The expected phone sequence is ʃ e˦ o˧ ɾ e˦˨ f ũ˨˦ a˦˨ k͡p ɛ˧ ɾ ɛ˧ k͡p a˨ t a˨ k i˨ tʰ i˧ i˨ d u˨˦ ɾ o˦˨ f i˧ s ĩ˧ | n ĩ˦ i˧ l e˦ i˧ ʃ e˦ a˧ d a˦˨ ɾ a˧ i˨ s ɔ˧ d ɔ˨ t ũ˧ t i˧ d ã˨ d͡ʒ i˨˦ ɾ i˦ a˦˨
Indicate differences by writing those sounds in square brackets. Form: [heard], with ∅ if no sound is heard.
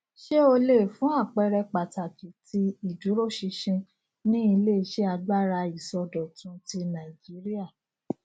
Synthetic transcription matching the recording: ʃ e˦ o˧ [l] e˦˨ f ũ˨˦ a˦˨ k͡p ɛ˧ ɾ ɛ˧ k͡p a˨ t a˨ k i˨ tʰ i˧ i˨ d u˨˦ ɾ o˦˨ [ʃ] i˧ [ʃ] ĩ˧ | n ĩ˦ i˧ l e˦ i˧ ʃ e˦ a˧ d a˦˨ ɾ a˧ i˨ s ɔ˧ d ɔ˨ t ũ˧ t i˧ [n] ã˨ d͡ʒ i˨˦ ɾ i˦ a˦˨